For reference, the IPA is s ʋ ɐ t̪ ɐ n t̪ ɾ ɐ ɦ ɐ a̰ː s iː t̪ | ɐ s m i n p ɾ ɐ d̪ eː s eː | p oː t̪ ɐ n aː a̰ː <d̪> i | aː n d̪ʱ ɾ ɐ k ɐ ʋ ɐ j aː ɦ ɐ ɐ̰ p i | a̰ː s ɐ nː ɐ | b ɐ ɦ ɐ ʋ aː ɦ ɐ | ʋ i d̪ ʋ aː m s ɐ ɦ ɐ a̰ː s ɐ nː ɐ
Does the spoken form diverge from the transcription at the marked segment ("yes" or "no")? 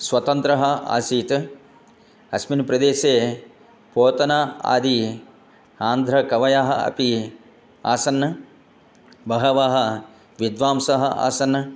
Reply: no